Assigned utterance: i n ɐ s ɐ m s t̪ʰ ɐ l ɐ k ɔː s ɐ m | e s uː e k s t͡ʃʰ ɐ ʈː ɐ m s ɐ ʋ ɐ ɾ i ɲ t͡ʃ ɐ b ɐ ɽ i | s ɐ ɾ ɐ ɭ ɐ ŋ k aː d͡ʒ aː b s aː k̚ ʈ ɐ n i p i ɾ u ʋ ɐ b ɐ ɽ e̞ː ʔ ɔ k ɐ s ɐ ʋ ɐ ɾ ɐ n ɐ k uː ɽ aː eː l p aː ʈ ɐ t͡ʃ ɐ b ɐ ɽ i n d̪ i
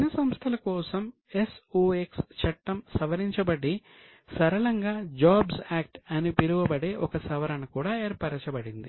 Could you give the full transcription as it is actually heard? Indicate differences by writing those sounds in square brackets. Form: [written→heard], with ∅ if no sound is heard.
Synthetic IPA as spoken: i n ɐ s ɐ m s t̪ʰ ɐ l ɐ k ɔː s ɐ m | e s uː e k s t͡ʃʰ ɐ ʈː ɐ m s ɐ ʋ ɐ ɾ i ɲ t͡ʃ ɐ b ɐ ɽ i | s ɐ ɾ ɐ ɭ ɐ ŋ [k→ɡ] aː d͡ʒ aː b s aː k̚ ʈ ɐ n i p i ɾ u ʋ ɐ b ɐ ɽ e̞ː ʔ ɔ k ɐ s ɐ ʋ ɐ ɾ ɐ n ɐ k uː ɽ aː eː [l→ɾ] p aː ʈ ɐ t͡ʃ ɐ b ɐ ɽ i n d̪ i